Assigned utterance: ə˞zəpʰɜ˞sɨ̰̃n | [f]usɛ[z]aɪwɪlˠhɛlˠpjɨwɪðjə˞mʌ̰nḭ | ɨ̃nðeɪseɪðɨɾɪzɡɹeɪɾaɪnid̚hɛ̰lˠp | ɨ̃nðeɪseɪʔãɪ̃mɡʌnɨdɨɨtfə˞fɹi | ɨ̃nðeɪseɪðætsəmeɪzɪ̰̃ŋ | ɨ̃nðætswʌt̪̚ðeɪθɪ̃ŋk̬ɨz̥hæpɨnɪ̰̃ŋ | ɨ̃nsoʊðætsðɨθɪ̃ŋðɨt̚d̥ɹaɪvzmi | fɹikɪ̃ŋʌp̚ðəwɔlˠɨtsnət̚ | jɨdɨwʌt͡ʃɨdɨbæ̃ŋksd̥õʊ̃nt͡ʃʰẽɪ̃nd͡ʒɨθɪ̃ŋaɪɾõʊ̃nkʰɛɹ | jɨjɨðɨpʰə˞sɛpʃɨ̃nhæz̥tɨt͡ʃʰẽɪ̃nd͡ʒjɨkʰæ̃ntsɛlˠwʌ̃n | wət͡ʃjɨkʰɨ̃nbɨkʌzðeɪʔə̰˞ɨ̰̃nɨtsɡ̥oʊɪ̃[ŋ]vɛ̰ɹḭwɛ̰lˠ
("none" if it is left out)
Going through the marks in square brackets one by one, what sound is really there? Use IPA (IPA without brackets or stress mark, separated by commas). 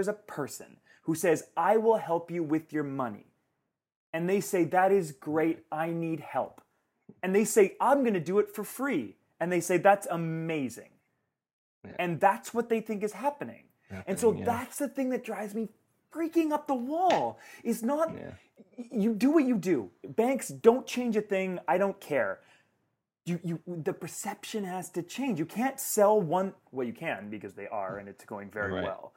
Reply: h, z, ŋ